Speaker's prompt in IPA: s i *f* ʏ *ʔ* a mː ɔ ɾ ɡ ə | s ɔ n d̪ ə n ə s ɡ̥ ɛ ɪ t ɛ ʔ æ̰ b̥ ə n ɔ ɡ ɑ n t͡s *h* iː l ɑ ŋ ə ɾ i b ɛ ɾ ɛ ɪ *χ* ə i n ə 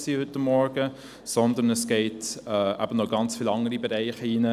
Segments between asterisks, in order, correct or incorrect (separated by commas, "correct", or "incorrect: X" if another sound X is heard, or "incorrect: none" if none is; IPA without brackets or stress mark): incorrect: h, incorrect: t, incorrect: f, correct